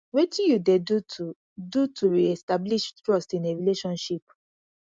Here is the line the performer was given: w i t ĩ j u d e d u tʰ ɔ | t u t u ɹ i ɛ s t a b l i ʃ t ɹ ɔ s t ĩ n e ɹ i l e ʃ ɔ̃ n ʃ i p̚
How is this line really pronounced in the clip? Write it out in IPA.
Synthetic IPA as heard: w e t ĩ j u d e d u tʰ u | d u t u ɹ i ɛ s t a b l i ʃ t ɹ ɔ s t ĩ n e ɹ i l e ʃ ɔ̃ n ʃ i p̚